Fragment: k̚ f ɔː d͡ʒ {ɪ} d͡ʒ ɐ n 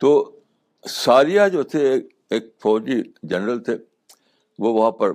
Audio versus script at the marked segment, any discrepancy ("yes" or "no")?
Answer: yes